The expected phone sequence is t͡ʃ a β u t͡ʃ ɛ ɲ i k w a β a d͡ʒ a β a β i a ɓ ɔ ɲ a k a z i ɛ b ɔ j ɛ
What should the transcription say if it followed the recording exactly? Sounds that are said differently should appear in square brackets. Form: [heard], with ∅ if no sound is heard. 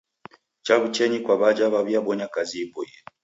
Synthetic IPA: t͡ʃ a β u t͡ʃ ɛ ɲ i k w a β a d͡ʒ a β a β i a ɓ ɔ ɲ a k a z i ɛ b ɔ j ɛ